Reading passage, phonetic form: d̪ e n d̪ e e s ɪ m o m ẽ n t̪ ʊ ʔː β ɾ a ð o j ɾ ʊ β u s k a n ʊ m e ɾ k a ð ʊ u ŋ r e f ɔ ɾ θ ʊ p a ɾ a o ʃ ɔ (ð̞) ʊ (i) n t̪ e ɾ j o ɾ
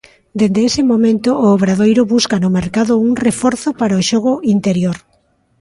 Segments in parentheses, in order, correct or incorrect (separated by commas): incorrect, correct